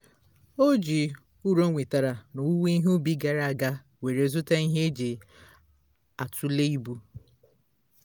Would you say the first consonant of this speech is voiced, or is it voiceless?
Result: voiced